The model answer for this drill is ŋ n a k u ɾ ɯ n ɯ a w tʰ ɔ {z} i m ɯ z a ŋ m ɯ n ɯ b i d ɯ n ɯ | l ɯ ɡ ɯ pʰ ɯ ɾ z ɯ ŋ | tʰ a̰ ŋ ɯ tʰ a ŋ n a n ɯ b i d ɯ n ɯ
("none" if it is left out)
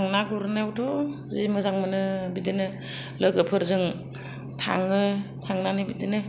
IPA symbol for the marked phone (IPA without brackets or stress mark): z